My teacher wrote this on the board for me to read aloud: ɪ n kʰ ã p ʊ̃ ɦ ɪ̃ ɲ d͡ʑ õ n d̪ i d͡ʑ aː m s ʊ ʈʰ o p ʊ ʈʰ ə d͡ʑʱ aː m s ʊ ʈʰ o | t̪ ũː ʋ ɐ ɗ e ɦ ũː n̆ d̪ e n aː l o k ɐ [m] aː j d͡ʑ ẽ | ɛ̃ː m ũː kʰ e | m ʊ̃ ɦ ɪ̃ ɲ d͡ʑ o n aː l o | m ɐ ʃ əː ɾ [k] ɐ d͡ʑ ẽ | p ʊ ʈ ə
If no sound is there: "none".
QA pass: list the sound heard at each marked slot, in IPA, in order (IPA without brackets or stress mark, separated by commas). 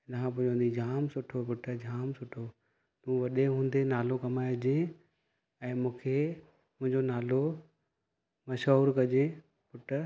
m, k